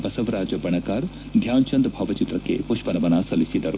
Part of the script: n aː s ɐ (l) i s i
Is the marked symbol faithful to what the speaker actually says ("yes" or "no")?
yes